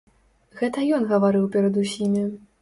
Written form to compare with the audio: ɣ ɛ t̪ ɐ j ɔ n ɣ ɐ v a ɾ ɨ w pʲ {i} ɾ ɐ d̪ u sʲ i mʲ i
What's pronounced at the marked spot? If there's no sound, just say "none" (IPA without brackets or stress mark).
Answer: ɛ